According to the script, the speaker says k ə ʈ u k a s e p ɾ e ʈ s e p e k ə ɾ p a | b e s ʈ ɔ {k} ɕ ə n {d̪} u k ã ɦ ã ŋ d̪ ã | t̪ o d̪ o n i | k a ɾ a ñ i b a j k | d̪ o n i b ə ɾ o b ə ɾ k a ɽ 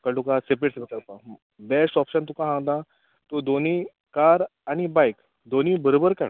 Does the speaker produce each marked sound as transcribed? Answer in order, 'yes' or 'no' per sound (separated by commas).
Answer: no, no